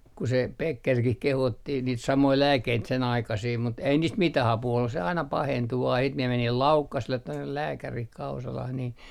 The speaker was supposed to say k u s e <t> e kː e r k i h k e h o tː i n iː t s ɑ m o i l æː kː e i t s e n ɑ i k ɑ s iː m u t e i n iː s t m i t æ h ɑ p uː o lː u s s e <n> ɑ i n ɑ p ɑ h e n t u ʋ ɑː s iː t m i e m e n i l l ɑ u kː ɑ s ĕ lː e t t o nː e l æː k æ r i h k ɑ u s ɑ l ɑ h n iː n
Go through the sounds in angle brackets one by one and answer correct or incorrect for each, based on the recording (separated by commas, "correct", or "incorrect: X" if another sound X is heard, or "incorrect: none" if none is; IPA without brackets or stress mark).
incorrect: p, incorrect: none